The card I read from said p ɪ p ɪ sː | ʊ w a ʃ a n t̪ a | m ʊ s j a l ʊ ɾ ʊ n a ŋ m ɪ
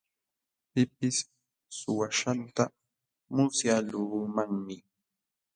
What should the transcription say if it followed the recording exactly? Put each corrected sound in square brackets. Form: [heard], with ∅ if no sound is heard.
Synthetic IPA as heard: p ɪ p ɪ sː | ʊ w a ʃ a n t̪ a | m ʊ s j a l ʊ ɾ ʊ [m] a ŋ m ɪ